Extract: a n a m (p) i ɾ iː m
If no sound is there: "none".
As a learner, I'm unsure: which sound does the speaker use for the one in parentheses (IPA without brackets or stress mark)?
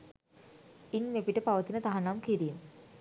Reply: k